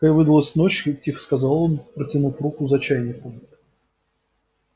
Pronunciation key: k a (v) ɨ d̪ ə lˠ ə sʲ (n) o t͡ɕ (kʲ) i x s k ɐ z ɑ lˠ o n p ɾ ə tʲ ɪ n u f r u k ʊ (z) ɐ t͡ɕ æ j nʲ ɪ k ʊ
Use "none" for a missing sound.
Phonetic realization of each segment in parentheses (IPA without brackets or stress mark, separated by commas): v, n, tʲ, z